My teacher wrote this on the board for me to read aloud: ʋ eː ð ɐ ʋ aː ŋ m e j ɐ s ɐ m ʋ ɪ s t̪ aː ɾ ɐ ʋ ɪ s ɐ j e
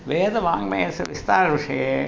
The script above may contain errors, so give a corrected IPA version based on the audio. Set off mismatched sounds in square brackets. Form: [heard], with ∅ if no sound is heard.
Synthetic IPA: ʋ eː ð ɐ ʋ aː ŋ m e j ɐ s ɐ [∅] ʋ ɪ s t̪ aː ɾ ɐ ʋ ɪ [ʂ] ɐ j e